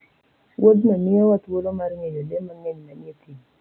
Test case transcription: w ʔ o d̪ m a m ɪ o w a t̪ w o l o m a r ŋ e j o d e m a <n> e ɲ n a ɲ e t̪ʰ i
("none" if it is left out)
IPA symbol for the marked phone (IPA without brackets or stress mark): ŋ